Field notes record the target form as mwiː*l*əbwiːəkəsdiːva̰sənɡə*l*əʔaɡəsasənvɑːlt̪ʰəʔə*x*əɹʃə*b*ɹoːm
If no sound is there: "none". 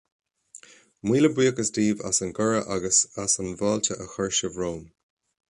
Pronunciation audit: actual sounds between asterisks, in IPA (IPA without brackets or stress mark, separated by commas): l, ɹ, x, v